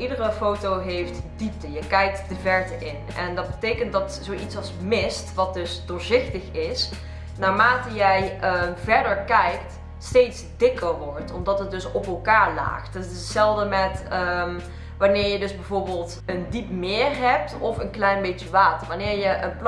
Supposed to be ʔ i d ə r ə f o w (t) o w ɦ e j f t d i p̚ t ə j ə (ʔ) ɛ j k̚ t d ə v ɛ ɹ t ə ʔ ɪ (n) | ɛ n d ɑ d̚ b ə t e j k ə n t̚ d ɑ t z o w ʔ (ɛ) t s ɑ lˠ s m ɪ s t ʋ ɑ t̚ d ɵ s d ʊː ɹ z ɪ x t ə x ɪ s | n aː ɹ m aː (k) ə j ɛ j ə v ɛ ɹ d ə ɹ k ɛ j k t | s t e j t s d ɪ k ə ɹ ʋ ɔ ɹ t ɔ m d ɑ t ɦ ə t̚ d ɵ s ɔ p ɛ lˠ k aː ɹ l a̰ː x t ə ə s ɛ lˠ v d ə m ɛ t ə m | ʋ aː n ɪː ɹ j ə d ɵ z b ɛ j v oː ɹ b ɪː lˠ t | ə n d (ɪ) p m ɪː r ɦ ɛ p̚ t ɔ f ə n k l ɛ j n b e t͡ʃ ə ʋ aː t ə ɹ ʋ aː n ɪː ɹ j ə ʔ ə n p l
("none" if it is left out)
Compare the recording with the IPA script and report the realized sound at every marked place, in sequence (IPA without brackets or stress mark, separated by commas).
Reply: t, k, n, i, t, i